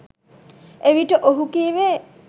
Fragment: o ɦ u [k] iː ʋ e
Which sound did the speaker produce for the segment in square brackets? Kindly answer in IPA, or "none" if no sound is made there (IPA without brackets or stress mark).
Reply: k